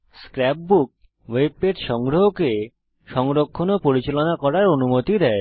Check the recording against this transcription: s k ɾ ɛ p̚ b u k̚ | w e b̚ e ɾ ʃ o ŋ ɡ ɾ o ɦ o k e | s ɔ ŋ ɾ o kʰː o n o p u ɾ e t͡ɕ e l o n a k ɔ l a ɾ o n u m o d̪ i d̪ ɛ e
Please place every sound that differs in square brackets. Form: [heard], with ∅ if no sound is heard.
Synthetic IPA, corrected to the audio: s k ɾ ɛ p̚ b u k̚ | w e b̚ e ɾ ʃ [ɔ] ŋ ɡ ɾ o ɦ o k e | [ʃ] ɔ ŋ ɾ o kʰː o n o p [o] ɾ [i] t͡ɕ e l o n a k ɔ [ɾ] a ɾ o n u m o [t̪] i d̪ ɛ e